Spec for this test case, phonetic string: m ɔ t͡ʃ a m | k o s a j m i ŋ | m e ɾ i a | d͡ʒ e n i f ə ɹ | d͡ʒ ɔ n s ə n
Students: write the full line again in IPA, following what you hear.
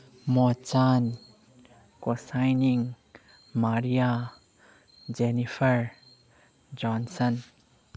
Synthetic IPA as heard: m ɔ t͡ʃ a n | k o s a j n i ŋ | m a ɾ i a | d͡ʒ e n i f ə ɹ | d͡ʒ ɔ n s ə n